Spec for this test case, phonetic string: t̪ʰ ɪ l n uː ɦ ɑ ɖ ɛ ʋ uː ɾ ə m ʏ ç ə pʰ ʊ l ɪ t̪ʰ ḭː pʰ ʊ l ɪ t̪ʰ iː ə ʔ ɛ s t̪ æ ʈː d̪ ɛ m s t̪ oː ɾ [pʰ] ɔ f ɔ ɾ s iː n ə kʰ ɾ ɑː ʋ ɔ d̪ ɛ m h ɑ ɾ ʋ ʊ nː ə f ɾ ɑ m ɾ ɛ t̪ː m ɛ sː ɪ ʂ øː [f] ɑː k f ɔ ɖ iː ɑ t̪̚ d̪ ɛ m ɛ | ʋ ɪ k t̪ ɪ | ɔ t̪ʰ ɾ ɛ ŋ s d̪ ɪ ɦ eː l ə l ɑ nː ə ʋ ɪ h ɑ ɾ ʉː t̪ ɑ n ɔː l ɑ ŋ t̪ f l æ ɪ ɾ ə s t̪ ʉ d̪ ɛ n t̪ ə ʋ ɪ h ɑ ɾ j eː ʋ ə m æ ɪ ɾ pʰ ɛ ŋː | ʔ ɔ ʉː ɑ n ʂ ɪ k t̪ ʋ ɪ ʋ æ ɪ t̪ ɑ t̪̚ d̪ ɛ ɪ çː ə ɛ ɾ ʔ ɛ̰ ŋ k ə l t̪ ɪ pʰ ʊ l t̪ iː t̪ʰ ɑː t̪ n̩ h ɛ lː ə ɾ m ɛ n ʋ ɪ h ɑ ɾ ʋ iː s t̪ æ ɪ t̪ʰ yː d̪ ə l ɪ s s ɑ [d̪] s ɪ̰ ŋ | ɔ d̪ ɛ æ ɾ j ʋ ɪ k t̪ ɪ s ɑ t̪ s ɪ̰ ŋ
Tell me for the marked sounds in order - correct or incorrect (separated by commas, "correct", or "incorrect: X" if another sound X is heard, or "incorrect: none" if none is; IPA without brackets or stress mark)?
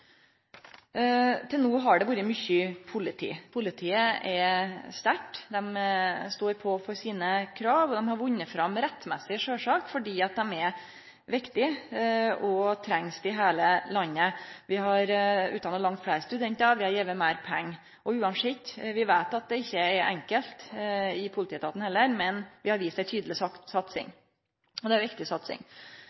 correct, incorrect: ʂ, incorrect: t̪